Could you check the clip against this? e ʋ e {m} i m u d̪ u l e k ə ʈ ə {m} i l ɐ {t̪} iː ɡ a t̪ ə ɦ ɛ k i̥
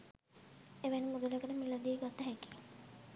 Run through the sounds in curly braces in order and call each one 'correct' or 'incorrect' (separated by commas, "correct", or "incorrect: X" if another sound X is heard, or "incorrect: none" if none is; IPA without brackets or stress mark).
incorrect: n, correct, incorrect: d̪